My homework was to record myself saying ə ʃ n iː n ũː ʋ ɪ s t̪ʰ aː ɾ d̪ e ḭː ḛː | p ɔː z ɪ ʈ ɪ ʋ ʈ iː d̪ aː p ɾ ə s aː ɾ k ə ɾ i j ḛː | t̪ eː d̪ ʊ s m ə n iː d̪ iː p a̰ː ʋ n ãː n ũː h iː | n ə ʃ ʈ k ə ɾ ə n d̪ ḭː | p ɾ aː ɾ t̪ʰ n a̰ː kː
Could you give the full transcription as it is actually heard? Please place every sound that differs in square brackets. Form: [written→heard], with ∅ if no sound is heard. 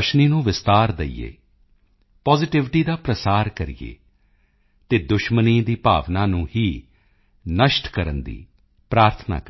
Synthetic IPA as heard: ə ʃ n iː n ũː ʋ ɪ s [t̪ʰ→t̪] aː ɾ d̪ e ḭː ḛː | p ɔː z ɪ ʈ ɪ ʋ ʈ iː d̪ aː p ɾ ə s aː ɾ k ə ɾ i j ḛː | t̪ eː d̪ ʊ [s→ʃ] m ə n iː d̪ iː p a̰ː ʋ n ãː n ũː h iː | n ə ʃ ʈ k ə ɾ ə n d̪ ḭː | p ɾ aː ɾ t̪ʰ n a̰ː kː